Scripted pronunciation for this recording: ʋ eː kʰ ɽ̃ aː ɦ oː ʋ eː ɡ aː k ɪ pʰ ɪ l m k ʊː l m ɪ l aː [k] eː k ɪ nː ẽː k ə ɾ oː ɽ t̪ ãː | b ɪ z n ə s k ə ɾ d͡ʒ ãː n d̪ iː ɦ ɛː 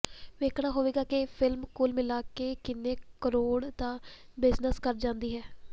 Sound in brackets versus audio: correct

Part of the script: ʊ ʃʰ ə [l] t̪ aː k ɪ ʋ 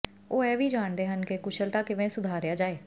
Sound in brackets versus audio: correct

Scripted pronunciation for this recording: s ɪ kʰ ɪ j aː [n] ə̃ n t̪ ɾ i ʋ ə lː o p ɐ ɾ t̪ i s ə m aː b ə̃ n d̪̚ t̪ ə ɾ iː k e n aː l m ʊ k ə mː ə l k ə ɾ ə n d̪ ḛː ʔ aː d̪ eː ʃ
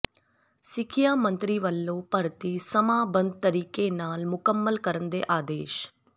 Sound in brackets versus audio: incorrect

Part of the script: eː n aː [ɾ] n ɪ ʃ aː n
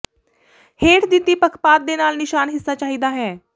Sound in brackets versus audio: incorrect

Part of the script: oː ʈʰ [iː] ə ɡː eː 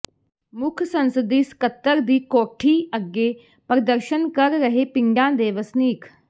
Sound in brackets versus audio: correct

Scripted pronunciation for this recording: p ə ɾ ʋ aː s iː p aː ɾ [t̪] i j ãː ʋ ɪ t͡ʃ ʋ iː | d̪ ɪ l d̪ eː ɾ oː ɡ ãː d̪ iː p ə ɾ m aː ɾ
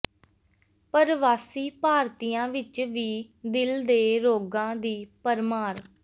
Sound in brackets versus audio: correct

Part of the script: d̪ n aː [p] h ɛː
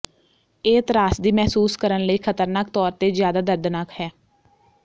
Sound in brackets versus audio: incorrect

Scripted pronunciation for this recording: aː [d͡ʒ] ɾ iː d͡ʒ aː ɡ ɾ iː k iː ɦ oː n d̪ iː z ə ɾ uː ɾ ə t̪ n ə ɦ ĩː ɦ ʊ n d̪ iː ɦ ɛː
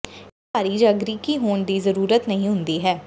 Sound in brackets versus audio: incorrect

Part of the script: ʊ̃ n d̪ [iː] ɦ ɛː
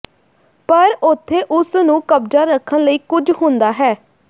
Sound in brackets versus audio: incorrect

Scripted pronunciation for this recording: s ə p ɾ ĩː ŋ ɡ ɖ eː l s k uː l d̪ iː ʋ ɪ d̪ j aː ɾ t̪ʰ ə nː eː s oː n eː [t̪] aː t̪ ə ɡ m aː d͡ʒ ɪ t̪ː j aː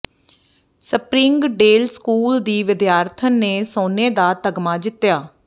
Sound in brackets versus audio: incorrect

